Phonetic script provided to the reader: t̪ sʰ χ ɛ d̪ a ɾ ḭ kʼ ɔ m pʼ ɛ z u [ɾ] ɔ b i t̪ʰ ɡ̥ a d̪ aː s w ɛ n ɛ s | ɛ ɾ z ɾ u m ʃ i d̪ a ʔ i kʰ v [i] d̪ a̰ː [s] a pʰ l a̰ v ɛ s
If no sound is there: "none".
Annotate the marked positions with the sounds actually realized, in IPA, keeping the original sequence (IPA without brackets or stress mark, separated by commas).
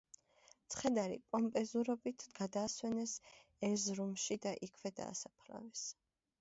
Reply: ɾ, ɛ, s